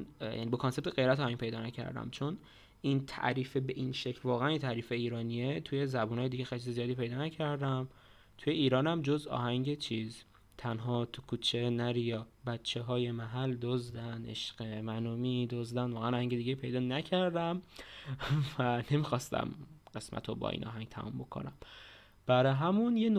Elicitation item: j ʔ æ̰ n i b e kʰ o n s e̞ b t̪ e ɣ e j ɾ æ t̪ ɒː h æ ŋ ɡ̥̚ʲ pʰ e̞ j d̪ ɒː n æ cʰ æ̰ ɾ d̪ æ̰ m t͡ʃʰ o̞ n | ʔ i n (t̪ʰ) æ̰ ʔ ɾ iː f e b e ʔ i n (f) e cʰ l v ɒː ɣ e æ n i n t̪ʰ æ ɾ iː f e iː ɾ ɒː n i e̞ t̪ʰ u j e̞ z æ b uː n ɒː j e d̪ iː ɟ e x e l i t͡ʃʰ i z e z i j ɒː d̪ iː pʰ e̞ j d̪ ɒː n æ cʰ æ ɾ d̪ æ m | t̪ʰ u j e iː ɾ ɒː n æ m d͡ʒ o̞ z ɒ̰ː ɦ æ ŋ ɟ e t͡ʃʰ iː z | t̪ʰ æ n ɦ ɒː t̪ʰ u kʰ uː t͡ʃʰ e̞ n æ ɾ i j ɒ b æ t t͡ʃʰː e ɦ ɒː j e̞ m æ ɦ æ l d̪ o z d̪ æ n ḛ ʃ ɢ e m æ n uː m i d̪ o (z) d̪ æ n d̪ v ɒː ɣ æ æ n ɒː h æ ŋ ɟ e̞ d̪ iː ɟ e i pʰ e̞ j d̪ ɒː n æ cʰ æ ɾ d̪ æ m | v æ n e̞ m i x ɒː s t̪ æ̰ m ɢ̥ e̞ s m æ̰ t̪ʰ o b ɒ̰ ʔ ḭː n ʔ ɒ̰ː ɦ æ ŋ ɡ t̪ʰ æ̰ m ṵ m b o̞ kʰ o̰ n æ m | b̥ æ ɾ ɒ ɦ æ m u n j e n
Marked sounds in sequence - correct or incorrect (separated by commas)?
correct, incorrect, correct